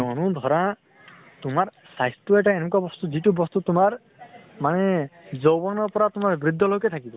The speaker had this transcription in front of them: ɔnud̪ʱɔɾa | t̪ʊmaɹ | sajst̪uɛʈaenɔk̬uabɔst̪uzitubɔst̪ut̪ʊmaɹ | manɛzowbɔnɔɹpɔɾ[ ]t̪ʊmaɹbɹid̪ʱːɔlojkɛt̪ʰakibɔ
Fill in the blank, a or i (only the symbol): a